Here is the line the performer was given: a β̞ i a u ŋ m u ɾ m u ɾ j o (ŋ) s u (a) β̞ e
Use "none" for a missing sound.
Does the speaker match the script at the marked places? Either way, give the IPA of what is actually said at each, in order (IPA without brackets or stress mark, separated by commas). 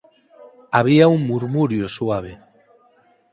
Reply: none, a